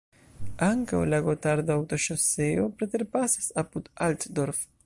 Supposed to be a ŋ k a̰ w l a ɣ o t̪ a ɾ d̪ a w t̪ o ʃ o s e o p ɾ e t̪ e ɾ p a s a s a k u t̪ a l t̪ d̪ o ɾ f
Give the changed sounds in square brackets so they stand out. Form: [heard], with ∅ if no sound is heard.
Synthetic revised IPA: a ŋ k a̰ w l a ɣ o t̪ a ɾ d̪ a w t̪ o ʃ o s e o p ɾ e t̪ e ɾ p a s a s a [p] u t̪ a l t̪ d̪ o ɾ f